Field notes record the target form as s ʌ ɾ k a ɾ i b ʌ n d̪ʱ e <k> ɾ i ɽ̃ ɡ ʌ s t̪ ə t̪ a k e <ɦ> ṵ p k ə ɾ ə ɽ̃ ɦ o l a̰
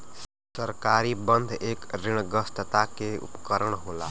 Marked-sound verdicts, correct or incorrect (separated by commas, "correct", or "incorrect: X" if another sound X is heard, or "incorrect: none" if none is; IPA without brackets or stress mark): correct, incorrect: none